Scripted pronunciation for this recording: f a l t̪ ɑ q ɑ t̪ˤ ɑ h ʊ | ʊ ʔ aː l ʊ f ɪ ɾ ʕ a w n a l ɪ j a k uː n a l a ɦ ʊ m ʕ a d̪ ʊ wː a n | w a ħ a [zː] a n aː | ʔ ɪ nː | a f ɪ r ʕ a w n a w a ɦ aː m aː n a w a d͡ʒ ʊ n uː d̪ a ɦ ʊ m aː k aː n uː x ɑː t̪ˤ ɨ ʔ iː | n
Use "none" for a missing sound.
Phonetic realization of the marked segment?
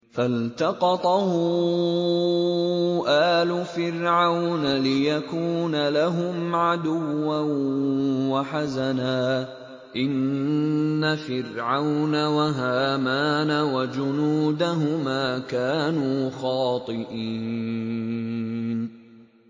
z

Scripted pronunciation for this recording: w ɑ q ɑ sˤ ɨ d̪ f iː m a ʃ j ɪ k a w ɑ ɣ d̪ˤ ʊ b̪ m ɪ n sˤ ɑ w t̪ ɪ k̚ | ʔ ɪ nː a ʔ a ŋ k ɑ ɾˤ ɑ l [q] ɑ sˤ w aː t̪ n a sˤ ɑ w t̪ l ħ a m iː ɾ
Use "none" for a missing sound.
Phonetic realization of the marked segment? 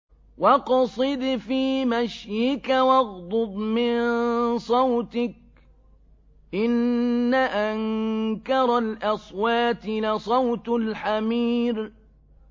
ʔ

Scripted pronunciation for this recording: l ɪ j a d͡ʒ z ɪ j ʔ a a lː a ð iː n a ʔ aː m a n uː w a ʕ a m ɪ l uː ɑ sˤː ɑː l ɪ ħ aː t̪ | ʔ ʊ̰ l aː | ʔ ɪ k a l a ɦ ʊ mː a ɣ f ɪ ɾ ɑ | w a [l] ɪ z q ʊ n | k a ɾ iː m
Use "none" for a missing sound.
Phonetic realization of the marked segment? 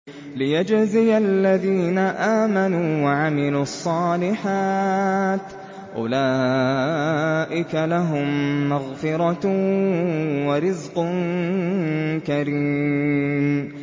ɾ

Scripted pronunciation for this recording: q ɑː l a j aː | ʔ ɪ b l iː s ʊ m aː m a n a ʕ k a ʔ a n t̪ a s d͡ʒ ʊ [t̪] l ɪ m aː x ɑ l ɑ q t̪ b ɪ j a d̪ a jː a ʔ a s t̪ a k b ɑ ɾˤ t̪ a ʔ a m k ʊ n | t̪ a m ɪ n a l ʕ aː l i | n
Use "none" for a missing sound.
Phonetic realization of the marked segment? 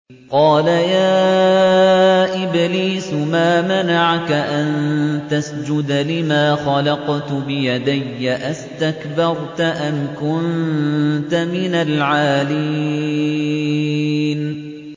d̪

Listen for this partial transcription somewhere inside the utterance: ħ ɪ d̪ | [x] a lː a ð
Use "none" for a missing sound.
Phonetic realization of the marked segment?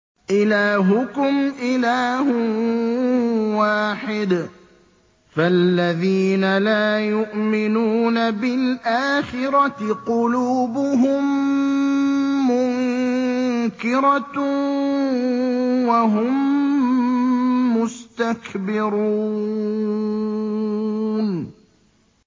f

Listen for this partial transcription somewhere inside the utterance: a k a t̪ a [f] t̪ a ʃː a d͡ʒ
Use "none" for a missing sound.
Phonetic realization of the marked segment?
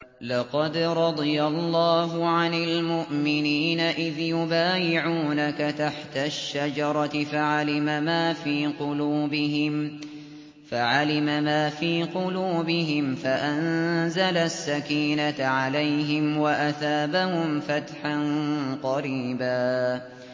ħ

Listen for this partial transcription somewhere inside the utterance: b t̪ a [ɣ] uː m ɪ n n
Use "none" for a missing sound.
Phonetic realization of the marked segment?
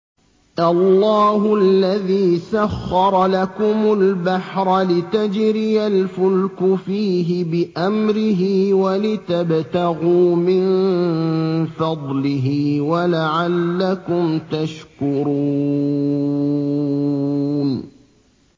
ɣ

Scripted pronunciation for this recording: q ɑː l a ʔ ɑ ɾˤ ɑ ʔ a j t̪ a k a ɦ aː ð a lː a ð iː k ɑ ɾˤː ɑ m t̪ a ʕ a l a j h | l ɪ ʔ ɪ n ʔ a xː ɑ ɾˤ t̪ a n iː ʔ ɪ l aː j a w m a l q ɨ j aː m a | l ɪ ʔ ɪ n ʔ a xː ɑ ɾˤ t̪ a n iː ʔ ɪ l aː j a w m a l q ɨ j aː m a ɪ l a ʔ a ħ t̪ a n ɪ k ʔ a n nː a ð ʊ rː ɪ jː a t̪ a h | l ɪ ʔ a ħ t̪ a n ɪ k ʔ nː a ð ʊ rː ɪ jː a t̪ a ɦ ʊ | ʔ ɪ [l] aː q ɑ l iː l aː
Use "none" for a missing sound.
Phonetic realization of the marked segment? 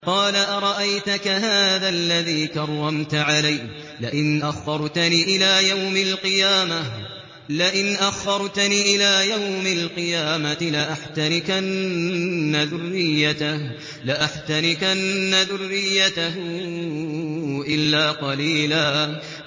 lː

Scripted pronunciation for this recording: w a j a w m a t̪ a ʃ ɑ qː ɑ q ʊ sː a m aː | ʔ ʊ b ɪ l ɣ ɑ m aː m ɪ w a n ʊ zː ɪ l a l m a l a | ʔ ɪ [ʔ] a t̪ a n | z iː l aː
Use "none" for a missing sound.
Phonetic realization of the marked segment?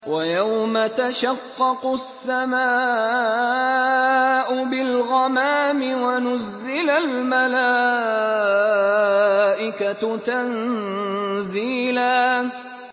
k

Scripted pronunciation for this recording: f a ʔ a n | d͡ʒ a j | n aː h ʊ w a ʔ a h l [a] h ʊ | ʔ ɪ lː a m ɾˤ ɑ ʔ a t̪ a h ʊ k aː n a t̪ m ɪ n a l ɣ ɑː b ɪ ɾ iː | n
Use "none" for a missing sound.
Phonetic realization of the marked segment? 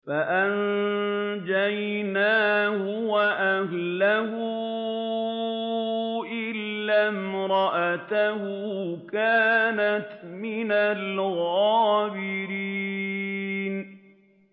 a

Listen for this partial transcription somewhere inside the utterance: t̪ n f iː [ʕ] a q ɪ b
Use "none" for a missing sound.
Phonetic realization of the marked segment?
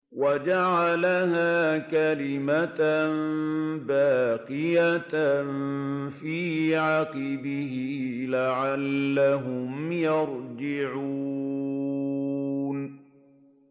ʕ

